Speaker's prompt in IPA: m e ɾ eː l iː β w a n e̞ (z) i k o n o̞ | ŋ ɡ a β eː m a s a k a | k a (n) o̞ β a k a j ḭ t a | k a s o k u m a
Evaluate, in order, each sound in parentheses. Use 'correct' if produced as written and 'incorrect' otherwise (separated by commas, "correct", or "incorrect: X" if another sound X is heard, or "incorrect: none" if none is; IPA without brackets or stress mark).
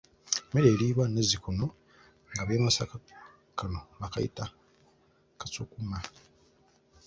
correct, correct